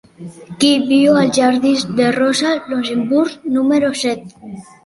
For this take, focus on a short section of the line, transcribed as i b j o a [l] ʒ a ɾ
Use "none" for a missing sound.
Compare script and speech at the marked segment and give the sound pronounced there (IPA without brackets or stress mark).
l